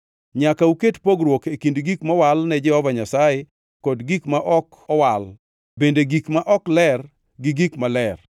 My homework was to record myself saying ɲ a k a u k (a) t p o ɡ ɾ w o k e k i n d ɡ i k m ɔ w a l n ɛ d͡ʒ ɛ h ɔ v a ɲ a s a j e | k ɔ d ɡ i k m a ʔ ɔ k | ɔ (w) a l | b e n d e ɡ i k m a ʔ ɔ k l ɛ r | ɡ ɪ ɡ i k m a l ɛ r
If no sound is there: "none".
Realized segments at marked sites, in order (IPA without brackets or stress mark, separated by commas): e, w